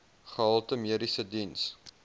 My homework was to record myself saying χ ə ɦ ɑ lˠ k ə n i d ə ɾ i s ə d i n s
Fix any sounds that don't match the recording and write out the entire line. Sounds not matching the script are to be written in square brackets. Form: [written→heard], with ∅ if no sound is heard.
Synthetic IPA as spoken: χ ə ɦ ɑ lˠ [k→t] ə [n→m] i [d→∅] ə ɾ i s ə d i n s

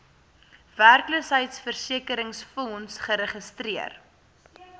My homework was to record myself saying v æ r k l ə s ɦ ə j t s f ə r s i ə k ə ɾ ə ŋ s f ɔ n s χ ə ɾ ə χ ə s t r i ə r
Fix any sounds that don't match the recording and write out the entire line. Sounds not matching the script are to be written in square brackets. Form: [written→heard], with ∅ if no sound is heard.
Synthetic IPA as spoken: v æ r k l ə s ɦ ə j t s f ə r s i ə k ə ɾ ə ŋ s f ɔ n s χ ə ɾ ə χ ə s t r i ə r

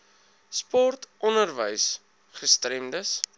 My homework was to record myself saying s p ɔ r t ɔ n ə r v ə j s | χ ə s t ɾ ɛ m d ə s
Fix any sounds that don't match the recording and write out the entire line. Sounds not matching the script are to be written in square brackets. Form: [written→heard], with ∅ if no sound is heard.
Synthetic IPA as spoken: s p ɔ r t ɔ n ə r v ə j s | χ ə s t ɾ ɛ m d ə s

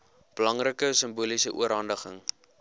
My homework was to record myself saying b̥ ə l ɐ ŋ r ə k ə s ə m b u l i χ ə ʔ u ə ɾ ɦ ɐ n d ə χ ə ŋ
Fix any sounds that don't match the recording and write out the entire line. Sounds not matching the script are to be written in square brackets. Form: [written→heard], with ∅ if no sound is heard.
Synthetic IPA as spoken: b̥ ə l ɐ ŋ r ə k ə s ə m b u l i [χ→s] ə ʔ u ə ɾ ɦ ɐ n d ə χ ə ŋ

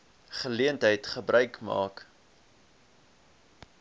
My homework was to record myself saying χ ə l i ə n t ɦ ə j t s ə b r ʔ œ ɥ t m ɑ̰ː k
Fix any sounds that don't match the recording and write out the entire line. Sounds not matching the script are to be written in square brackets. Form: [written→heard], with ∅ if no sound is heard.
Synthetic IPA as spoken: χ ə l i ə n t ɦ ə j t [s→χ] ə b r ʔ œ ɥ [t→k] m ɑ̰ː k

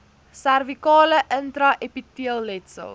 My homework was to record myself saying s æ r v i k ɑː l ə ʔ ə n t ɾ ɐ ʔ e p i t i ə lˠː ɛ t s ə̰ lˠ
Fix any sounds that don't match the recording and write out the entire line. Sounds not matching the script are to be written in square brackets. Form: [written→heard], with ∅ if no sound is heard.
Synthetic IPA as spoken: s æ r v i k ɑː l ə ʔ ə n t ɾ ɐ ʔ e p i t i ə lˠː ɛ t s ə̰ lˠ

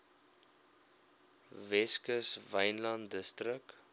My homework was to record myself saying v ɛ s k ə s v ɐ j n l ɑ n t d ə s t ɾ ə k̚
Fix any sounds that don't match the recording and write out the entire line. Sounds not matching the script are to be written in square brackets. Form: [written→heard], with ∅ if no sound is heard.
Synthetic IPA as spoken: v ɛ s k ə s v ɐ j n l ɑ n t d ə s t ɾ ə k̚

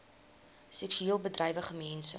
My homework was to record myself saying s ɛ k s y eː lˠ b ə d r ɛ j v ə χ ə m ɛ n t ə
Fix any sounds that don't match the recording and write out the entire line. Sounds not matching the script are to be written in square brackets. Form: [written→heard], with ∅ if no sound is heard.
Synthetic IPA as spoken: s ɛ k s y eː lˠ b ə d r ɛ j v ə χ ə m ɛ n [t→s] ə

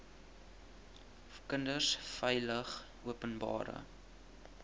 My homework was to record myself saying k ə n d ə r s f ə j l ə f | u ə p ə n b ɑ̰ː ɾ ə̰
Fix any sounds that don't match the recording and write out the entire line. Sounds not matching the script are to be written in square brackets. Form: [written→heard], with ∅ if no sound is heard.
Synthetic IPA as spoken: k ə n d ə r s f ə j l ə [f→χ] | u ə p ə n b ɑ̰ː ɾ ə̰

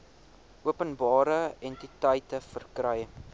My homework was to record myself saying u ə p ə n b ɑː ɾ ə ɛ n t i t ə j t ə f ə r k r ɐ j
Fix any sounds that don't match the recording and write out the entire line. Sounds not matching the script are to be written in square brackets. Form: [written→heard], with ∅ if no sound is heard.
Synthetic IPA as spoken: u ə p ə n b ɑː ɾ ə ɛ n t i t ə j t ə f ə r k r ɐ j

